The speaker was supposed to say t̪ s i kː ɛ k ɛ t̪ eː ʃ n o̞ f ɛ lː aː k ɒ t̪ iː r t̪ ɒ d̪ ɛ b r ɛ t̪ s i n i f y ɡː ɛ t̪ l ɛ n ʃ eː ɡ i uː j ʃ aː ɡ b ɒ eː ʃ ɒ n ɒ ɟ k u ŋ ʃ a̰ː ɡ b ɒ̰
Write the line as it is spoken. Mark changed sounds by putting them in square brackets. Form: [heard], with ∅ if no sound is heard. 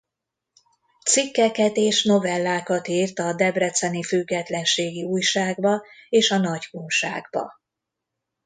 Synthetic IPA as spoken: t̪ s i kː ɛ k ɛ t̪ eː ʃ n o̞ [v] ɛ lː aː k ɒ t̪ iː r t̪ ɒ d̪ ɛ b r ɛ t̪ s [ɛ] n i f y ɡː ɛ t̪ l ɛ n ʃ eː ɡ i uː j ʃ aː ɡ b ɒ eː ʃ ɒ n ɒ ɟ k u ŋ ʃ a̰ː ɡ b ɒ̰